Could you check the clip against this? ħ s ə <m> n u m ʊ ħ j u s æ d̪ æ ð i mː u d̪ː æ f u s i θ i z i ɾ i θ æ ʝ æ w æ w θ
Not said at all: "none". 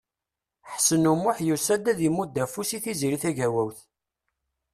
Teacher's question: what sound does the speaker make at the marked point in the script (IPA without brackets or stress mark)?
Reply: none